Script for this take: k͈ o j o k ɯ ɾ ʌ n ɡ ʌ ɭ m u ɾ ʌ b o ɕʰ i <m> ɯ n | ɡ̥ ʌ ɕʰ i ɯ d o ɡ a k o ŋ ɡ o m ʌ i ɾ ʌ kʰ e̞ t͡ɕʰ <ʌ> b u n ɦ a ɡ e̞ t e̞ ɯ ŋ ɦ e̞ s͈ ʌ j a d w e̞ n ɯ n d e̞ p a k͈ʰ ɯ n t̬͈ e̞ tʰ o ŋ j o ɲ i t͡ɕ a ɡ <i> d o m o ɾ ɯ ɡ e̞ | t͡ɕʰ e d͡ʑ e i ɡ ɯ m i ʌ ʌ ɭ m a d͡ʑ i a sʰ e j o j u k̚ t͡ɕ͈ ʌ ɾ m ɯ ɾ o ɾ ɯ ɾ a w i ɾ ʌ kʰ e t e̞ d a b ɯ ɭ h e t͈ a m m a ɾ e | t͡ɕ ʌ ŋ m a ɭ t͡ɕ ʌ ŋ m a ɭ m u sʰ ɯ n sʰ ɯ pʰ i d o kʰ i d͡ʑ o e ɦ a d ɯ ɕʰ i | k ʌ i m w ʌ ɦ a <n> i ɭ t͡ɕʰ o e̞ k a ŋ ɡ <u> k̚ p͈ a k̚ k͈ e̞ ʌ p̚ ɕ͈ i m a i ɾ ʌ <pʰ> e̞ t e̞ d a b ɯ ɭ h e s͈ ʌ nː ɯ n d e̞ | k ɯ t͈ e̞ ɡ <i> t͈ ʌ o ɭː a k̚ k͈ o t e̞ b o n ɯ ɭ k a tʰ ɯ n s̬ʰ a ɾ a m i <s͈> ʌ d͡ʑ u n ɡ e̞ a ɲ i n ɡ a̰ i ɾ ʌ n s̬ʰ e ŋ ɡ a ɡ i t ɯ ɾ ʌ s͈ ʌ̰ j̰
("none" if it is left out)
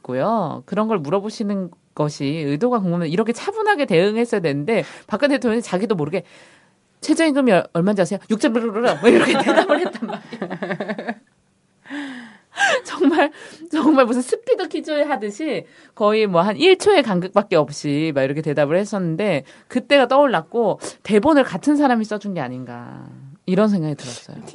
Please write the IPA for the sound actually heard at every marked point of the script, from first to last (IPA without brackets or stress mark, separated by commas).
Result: n, a, i, n, ɯ, kʰ, a, s͈